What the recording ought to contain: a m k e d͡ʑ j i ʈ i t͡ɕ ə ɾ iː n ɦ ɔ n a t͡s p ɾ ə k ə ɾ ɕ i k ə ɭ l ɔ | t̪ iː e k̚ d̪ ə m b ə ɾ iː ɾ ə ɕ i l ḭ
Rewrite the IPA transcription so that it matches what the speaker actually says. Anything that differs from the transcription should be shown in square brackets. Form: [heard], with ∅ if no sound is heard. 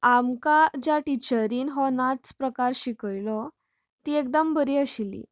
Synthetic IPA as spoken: a m k [a] d͡ʑ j [a] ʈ i t͡ɕ ə ɾ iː n ɦ ɔ n a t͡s p ɾ ə k [a] ɾ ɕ i k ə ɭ l ɔ | t̪ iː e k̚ d̪ ə m b ə ɾ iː [∅] ə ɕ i l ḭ